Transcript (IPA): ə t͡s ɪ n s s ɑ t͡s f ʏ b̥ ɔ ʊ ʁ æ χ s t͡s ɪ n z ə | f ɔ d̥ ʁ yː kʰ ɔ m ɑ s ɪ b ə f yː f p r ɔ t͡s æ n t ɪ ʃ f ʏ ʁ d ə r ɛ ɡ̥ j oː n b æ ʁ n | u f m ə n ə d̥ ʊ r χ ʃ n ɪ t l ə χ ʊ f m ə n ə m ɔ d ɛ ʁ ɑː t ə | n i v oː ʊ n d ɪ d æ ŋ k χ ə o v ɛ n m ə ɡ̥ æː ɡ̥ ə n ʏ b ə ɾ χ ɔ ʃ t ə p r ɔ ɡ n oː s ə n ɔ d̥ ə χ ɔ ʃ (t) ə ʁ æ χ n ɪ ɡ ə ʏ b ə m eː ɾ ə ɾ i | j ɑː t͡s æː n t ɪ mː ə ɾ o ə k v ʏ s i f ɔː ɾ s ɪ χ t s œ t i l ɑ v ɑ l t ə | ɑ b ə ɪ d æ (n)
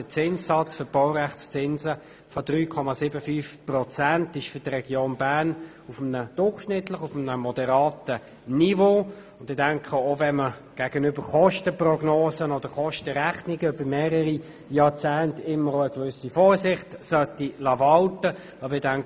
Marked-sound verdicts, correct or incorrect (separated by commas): correct, incorrect